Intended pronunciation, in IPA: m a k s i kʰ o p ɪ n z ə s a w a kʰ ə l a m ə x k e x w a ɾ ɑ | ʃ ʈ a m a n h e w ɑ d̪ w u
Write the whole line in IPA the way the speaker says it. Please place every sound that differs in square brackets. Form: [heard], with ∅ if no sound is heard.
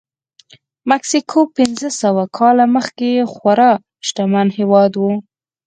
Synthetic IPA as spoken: m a k s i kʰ o p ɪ n z ə s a w a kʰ [ɑ] l a m ə x k e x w a ɾ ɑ | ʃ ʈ a m a n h e w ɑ d̪ w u